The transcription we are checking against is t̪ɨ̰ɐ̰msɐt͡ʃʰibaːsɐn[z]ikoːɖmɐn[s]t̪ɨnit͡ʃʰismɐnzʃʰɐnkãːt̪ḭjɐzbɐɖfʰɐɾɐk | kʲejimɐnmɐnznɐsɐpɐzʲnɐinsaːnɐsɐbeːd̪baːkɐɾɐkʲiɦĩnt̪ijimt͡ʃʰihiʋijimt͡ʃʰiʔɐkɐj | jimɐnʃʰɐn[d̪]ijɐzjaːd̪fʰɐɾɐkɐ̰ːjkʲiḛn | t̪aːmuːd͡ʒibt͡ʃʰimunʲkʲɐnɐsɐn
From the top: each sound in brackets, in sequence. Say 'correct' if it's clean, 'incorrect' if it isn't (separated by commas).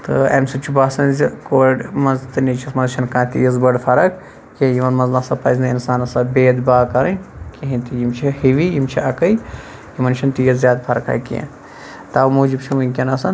correct, incorrect, incorrect